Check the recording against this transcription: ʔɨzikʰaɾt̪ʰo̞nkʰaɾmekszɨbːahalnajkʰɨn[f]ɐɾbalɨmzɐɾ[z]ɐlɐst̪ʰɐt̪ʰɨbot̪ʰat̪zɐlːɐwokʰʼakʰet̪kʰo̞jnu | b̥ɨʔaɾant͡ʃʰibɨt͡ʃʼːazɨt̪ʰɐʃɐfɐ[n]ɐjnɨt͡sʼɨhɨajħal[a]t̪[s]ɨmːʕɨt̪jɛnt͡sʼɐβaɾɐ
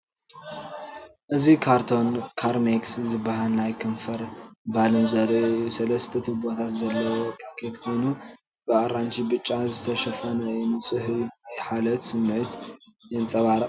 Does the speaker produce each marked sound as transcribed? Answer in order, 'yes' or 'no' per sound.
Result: yes, no, yes, no, yes

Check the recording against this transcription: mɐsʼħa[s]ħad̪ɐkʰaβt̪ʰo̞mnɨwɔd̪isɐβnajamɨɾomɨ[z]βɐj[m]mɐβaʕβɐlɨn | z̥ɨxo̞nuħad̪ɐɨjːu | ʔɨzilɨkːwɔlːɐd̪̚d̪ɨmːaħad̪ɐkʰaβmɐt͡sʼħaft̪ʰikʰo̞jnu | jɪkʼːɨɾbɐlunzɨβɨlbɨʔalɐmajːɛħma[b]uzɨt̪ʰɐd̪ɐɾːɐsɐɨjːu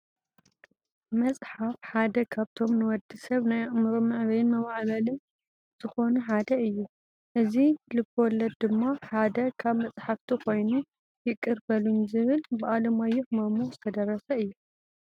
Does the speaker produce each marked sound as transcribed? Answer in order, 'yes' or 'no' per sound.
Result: no, no, no, no

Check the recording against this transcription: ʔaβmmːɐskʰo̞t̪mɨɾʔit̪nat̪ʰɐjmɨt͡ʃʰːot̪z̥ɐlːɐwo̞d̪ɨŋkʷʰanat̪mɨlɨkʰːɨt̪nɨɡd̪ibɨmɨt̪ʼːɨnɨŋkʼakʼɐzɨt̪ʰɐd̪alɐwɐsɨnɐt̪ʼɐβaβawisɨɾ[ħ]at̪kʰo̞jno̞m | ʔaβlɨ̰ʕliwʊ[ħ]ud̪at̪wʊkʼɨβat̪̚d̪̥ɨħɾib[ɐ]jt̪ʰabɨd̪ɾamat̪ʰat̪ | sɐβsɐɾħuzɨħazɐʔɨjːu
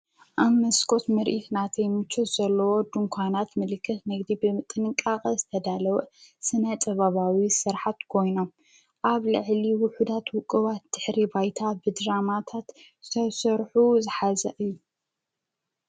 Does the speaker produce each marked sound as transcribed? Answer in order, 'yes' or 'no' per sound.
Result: yes, yes, no

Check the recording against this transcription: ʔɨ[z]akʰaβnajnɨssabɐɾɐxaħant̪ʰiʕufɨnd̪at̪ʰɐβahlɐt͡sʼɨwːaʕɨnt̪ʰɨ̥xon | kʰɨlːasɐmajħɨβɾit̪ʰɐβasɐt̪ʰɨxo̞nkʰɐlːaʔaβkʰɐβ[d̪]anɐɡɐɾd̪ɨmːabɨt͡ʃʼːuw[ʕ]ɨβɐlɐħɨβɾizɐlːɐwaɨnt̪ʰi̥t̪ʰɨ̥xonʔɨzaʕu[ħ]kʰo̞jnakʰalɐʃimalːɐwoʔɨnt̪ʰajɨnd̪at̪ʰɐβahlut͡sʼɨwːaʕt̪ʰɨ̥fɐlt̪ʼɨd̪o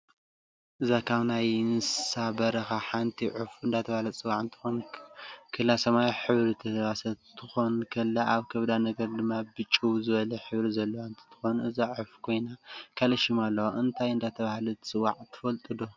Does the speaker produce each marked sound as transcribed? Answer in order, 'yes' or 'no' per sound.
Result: yes, yes, no, no

